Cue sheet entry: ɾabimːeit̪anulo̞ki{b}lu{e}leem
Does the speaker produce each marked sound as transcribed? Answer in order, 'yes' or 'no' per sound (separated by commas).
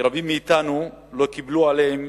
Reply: yes, no